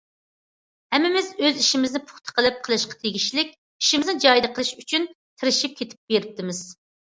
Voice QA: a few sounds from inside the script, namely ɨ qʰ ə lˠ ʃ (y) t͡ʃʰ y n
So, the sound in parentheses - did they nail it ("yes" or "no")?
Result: yes